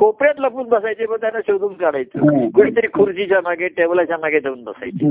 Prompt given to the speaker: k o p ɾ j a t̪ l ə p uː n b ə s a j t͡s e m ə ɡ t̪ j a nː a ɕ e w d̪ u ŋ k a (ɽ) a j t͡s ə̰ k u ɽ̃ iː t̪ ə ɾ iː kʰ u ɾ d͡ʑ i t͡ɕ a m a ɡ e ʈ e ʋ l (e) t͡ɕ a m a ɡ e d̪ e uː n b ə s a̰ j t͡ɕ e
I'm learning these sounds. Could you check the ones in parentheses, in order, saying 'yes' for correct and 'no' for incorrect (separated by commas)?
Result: yes, no